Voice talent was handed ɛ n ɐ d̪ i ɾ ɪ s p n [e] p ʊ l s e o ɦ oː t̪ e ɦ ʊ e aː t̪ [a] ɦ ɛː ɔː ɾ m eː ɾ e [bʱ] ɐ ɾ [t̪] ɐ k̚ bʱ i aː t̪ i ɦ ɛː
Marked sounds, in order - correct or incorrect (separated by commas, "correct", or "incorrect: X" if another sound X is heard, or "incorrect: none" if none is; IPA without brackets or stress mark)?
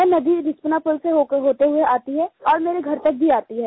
incorrect: a, incorrect: i, incorrect: ɡʱ, correct